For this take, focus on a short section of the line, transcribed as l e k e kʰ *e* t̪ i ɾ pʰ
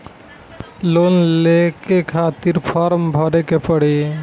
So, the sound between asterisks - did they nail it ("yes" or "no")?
no